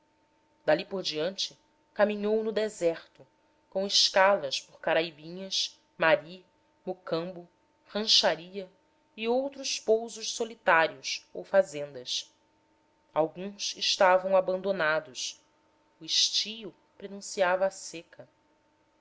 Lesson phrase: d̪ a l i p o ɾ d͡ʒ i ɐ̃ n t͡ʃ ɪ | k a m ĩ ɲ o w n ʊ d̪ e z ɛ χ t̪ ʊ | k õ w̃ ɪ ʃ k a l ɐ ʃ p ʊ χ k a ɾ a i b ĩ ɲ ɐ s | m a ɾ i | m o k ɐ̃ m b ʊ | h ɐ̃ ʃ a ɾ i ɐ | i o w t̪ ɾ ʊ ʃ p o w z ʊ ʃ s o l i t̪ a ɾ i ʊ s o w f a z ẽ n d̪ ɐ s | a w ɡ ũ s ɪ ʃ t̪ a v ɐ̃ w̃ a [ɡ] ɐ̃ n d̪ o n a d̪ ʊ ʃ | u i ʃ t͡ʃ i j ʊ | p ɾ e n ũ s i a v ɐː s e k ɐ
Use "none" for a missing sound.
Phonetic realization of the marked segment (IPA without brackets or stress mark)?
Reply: b